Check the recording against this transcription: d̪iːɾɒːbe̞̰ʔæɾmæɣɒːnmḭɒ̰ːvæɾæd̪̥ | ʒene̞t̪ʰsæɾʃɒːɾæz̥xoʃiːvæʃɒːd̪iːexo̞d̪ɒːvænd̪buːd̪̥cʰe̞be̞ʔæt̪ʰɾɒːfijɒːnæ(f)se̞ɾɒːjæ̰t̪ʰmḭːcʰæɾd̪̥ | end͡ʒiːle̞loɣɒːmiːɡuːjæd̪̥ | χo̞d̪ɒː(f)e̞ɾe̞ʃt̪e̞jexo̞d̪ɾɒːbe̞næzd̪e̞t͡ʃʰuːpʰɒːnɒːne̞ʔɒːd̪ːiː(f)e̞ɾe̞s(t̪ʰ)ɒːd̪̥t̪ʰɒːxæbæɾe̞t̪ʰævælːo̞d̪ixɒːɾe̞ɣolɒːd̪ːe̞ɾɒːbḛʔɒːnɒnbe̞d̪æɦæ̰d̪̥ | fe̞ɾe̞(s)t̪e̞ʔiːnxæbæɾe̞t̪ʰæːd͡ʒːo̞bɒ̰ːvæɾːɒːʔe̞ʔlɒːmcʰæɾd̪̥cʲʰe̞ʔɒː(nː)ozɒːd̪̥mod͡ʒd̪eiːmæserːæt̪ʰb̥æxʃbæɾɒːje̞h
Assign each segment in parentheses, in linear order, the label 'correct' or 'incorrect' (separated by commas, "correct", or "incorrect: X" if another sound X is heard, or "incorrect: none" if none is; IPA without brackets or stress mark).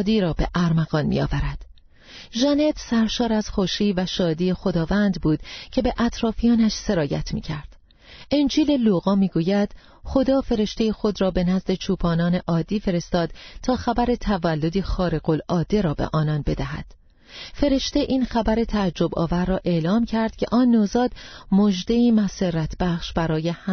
incorrect: ʃ, correct, correct, incorrect: t̪, incorrect: ʃ, correct